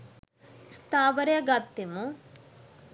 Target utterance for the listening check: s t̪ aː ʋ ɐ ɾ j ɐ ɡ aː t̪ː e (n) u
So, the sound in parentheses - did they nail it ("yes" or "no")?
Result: no